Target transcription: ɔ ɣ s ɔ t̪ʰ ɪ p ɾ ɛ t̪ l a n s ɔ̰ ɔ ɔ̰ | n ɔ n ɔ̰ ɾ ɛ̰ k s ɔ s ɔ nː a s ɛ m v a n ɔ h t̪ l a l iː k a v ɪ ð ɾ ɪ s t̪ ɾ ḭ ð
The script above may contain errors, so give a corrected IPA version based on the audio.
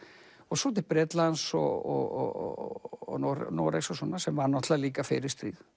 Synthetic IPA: ɔ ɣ s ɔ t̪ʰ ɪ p ɾ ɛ t̪ l a n s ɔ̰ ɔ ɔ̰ | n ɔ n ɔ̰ ɾ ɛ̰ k s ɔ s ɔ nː a s ɛ m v a n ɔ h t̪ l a l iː k a f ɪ ɾ ɪ s t̪ ɾ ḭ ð